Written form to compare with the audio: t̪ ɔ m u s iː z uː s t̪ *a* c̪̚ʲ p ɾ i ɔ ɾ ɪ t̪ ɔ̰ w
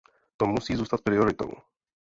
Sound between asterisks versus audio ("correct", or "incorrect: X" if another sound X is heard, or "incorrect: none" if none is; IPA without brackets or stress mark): correct